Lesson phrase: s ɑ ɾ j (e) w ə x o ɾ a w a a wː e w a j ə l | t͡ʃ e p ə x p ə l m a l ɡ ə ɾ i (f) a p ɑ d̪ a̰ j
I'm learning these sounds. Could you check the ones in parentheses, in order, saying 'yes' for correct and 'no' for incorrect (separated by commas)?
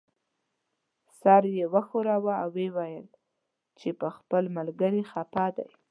yes, no